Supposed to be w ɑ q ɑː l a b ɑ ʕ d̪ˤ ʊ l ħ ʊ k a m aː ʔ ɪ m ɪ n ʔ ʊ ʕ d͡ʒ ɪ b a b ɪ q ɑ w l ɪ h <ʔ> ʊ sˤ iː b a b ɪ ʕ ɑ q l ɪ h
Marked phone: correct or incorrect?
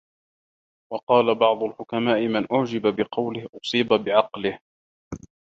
correct